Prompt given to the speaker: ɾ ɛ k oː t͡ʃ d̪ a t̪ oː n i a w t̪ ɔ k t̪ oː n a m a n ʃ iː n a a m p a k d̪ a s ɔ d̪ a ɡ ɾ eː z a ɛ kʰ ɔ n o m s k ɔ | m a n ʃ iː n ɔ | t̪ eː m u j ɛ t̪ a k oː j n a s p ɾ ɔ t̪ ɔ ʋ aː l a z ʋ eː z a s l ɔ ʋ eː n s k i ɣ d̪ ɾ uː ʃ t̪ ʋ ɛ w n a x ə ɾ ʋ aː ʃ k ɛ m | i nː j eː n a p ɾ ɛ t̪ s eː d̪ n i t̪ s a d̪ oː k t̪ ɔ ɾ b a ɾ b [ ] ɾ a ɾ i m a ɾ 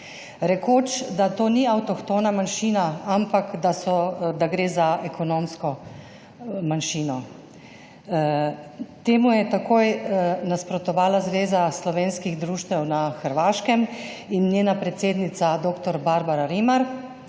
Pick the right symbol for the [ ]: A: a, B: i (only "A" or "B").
A